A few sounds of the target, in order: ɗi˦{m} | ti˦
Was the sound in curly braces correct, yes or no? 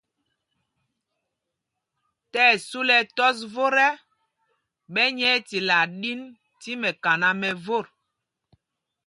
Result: no